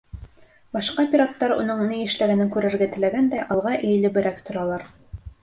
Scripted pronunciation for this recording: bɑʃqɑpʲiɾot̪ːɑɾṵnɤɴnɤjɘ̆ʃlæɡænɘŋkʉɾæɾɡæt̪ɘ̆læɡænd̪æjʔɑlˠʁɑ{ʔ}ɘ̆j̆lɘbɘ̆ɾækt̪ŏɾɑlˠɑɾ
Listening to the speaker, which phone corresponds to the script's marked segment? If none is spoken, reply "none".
ʔ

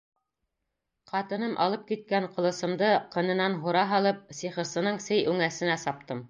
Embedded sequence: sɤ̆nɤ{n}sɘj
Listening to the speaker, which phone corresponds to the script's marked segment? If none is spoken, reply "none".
ɴ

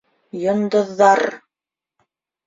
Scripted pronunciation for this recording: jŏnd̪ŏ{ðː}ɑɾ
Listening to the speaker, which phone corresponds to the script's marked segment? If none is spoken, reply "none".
ðː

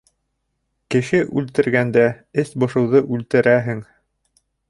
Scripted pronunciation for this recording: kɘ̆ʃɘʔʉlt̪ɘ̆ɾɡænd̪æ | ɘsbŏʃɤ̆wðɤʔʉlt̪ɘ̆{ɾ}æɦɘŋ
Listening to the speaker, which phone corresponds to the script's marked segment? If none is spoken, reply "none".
ɾ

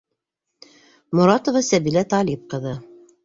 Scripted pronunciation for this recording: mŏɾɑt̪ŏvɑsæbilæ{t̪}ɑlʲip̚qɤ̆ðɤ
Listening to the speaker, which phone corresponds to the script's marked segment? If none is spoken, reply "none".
t̪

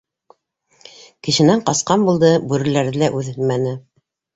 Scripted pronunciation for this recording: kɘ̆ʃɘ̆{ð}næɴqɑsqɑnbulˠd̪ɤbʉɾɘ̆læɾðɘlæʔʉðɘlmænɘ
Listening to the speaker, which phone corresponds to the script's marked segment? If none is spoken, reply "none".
none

